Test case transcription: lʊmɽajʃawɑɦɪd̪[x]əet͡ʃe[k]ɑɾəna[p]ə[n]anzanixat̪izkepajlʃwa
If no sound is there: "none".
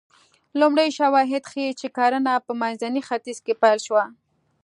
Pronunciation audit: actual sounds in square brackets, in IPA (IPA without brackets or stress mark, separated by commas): x, k, p, m